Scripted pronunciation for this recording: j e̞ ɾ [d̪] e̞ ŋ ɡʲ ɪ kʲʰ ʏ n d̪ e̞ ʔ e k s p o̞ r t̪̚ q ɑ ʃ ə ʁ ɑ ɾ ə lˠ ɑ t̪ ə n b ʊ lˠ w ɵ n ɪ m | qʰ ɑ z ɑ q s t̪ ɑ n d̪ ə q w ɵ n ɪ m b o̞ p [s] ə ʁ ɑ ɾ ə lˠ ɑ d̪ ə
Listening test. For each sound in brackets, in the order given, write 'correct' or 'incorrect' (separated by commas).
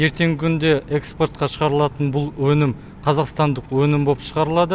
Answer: incorrect, incorrect